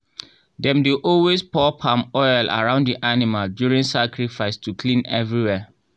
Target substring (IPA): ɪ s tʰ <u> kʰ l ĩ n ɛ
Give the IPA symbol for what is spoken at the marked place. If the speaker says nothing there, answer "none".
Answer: u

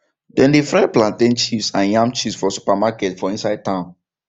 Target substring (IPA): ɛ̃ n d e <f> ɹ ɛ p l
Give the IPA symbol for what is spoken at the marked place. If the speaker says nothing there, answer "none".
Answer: f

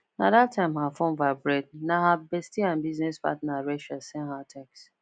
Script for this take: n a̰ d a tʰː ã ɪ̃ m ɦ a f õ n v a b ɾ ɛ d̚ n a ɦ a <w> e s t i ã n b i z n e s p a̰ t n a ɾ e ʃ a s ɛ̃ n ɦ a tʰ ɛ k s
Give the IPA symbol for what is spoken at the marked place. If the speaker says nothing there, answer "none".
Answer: b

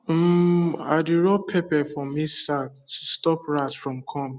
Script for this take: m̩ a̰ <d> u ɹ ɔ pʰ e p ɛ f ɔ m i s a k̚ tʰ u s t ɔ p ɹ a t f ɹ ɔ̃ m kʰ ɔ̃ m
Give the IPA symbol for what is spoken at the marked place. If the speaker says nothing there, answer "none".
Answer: d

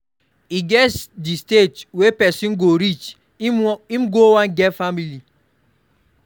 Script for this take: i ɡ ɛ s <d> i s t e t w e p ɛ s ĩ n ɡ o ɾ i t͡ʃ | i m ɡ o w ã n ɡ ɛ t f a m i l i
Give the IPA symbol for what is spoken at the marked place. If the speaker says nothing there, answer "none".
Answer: d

